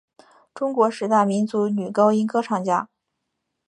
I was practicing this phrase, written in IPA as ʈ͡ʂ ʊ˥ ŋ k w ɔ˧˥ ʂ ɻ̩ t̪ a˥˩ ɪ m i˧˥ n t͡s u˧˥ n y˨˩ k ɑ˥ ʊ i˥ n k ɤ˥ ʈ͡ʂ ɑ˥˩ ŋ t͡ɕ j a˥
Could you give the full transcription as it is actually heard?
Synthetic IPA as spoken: ʈ͡ʂ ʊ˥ ŋ k w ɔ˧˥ ʂ ɻ̩ t̪ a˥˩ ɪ m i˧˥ n t͡s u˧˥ n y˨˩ k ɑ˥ ʊ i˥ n k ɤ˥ ʈ͡ʂʰ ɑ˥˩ ŋ t͡ɕ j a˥